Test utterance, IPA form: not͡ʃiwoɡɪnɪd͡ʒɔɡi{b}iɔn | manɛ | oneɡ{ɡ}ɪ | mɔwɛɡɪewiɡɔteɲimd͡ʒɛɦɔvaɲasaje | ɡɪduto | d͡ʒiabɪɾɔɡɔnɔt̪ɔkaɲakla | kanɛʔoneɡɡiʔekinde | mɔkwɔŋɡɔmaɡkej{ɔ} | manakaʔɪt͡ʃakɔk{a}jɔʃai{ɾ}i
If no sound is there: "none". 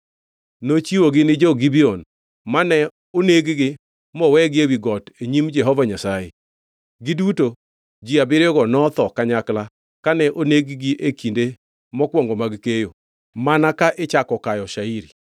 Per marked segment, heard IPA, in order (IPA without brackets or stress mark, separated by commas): b, ɡ, o, a, ɾ